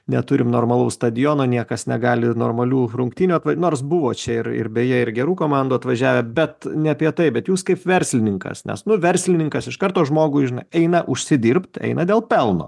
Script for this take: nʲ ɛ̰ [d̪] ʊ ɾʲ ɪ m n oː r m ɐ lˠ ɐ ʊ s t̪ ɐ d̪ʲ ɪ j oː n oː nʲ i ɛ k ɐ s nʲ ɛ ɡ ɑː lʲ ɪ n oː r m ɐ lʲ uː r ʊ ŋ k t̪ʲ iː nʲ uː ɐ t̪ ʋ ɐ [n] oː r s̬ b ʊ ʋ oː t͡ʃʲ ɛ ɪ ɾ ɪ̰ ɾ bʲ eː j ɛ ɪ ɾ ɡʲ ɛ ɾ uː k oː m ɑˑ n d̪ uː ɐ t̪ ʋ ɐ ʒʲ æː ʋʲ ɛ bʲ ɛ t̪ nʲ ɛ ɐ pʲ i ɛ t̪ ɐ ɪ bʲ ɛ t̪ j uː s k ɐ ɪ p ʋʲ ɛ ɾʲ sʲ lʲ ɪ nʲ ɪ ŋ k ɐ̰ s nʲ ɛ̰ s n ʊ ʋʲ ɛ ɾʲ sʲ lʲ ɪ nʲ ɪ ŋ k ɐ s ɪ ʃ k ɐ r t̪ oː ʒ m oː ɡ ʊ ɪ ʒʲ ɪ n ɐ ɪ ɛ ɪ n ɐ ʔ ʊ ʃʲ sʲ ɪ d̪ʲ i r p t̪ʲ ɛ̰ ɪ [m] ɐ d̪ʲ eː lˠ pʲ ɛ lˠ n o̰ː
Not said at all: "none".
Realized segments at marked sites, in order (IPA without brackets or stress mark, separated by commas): t̪, n, n